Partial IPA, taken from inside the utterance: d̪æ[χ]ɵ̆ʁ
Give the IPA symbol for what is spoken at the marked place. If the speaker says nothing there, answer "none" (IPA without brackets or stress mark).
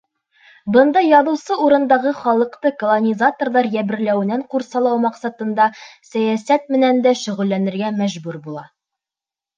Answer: ʃ